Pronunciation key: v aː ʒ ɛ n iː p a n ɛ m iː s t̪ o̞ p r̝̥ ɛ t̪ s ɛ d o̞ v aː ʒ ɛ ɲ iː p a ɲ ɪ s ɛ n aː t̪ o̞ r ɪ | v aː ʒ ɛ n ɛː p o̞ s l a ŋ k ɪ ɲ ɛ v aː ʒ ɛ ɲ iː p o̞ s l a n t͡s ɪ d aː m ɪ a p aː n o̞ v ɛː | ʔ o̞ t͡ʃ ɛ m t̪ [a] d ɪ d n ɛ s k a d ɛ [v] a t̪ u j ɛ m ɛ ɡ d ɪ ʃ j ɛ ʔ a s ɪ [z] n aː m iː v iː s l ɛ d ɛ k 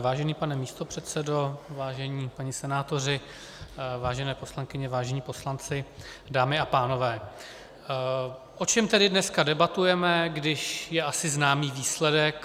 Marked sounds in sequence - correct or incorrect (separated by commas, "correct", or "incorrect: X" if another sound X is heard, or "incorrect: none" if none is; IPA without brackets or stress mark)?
incorrect: ɛ, incorrect: b, correct